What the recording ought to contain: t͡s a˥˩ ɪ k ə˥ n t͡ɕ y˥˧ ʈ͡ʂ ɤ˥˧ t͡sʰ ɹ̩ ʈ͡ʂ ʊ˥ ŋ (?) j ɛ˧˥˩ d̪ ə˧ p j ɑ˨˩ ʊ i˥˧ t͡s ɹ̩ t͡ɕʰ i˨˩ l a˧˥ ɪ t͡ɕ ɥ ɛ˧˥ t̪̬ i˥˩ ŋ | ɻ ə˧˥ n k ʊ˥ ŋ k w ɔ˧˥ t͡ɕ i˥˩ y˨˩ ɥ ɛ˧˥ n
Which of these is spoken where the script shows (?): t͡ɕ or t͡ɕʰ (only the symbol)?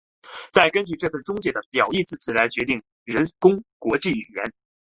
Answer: t͡ɕ